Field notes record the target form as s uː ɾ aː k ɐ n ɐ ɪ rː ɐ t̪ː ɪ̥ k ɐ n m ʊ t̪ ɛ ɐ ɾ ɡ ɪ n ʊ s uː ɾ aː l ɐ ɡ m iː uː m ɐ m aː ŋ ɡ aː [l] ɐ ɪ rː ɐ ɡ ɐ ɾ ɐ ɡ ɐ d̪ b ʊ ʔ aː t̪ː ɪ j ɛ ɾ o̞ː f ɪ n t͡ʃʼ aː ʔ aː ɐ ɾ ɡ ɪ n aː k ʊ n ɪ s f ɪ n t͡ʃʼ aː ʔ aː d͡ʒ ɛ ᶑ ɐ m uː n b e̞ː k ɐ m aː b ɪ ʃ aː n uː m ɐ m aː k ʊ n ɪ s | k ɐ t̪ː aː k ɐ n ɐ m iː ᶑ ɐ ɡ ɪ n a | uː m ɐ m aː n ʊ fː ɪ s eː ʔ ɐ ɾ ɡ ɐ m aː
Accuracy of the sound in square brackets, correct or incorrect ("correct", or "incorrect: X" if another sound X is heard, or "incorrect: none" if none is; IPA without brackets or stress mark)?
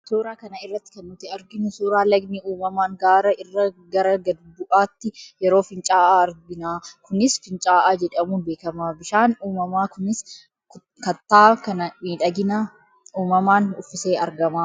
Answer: incorrect: ɾ